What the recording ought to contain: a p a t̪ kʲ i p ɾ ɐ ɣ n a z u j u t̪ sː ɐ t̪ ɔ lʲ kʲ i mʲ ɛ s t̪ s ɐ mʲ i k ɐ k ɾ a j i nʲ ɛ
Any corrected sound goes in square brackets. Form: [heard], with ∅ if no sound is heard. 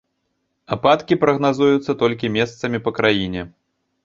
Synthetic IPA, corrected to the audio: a p a t̪ kʲ i p ɾ ɐ ɣ n a z u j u t̪ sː ɐ t̪ ɔ lʲ kʲ i mʲ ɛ s t̪ s ɐ mʲ i [p] ɐ k ɾ a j i nʲ ɛ